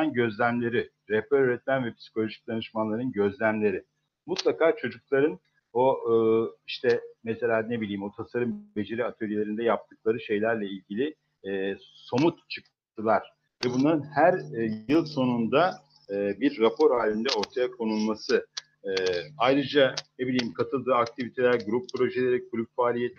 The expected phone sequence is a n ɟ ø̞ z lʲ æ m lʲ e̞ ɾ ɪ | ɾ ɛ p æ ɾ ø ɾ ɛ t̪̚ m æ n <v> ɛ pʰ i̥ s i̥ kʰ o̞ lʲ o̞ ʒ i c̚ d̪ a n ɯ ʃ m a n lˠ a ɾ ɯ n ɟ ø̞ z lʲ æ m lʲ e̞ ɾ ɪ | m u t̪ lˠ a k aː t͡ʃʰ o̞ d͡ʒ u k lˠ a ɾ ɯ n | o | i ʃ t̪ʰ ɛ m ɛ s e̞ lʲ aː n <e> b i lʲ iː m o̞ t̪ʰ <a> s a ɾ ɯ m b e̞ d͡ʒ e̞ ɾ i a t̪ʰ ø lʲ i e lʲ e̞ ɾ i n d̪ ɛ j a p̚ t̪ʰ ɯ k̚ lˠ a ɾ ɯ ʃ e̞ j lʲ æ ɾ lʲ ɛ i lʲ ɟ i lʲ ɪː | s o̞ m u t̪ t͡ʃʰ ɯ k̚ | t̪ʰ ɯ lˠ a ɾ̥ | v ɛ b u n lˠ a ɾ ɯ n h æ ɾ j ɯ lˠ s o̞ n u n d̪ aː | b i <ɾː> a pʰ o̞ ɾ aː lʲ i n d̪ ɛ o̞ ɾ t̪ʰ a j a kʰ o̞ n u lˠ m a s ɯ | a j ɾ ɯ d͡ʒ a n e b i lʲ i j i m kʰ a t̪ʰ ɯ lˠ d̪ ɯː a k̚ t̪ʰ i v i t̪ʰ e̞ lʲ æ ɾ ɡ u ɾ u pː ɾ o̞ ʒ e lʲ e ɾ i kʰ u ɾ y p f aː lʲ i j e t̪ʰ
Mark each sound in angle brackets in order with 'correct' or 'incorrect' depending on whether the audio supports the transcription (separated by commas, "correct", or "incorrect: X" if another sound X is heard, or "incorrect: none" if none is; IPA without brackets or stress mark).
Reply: correct, correct, correct, correct